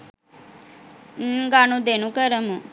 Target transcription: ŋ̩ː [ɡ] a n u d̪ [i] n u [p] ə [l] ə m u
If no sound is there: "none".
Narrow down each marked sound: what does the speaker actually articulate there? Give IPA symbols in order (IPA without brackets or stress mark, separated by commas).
ɡ, e, k, ɾ